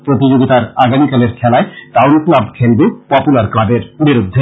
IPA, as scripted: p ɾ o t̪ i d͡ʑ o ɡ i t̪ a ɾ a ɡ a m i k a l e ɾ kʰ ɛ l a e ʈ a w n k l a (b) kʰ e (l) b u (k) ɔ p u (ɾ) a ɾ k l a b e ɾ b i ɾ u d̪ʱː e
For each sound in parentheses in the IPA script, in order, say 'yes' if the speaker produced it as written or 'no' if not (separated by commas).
yes, yes, no, no